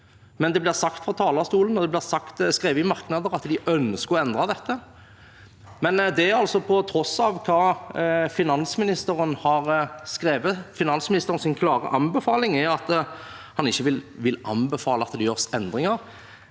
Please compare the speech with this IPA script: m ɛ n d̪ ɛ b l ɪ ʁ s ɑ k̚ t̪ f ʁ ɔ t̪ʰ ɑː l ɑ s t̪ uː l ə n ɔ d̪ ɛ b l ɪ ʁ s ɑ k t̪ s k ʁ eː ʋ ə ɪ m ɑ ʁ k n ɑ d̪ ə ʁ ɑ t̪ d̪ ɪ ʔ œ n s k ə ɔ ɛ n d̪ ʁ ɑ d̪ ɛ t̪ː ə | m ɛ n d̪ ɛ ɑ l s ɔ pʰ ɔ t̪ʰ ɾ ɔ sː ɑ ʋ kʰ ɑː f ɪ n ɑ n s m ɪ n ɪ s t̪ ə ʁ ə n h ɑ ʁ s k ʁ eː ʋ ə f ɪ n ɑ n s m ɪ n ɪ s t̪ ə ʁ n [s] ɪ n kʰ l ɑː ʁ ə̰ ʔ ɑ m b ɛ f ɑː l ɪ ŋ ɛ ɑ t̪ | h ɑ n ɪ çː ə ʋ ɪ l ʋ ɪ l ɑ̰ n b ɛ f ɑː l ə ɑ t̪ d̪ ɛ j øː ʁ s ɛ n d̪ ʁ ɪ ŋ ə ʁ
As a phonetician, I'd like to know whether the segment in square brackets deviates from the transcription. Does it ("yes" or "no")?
no